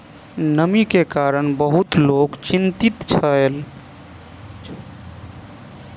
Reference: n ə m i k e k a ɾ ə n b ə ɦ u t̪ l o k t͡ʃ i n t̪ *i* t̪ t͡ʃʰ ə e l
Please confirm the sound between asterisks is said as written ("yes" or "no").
yes